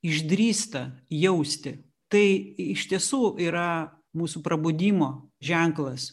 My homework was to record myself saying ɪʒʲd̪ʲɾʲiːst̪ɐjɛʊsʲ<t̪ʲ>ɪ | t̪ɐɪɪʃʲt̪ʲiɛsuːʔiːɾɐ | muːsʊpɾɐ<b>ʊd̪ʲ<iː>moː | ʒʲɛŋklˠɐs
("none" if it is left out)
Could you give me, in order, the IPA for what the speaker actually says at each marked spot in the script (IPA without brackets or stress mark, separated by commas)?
t̪ʲ, b, iː